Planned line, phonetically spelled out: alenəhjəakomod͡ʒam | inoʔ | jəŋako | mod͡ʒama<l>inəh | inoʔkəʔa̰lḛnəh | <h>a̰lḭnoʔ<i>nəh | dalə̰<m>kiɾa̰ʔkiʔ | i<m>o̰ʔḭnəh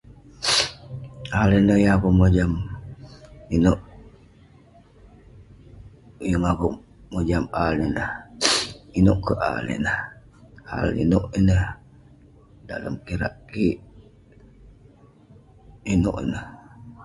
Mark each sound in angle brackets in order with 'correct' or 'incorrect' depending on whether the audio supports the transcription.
correct, correct, correct, correct, incorrect: n

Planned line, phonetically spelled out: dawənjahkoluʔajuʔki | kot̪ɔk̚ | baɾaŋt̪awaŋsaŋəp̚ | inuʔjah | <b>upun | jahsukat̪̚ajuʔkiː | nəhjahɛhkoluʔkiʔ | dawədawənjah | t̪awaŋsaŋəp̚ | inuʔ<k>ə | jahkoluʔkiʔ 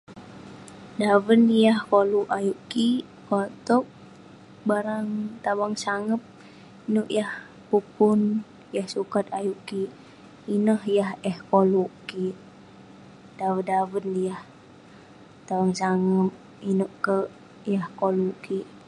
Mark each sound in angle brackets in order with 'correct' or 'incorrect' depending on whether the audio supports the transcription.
incorrect: p, correct

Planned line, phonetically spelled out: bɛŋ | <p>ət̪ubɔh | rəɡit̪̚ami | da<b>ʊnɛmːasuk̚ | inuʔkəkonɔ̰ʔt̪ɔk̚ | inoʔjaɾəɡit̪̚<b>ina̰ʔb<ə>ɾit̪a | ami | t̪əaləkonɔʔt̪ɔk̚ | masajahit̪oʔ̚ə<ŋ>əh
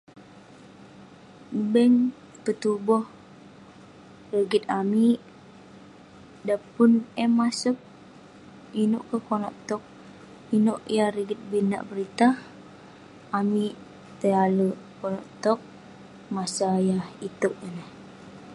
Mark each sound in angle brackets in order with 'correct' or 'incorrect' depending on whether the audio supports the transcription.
correct, incorrect: p, correct, correct, incorrect: n

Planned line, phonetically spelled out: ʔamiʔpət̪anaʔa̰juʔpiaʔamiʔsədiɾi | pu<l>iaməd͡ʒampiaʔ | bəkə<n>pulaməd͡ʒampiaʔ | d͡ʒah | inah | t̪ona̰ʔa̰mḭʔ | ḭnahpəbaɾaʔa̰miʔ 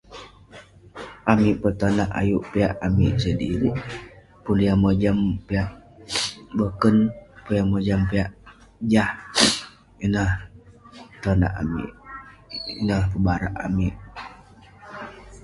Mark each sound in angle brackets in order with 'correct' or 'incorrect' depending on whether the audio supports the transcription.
correct, correct

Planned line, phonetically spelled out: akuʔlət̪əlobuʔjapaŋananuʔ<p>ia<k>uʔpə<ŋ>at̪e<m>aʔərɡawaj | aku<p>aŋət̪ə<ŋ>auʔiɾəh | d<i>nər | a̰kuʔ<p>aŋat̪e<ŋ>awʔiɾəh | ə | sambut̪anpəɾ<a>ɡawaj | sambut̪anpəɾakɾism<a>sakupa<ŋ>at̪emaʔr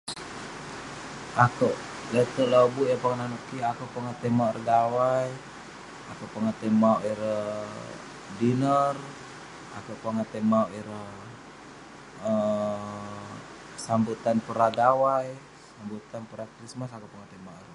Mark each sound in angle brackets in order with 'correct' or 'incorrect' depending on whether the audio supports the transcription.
incorrect: k, correct, correct, correct, correct, incorrect: m, correct, correct, incorrect: m, correct, correct, correct

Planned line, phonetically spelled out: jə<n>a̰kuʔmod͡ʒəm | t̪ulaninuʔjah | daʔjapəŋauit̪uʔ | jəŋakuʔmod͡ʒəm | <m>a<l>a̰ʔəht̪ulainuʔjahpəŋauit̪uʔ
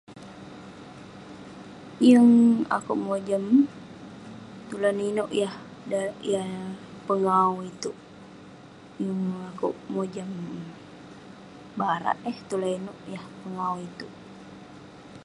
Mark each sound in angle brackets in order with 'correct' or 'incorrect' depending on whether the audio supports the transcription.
incorrect: ŋ, incorrect: b, incorrect: ɾ

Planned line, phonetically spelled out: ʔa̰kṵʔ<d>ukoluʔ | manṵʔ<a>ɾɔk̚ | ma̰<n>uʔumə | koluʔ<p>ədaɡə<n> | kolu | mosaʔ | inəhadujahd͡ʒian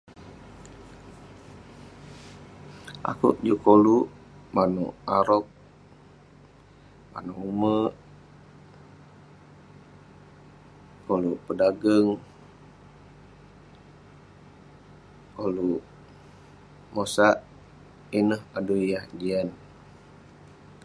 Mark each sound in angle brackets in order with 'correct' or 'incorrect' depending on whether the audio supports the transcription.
incorrect: d͡ʒ, correct, correct, correct, incorrect: ŋ

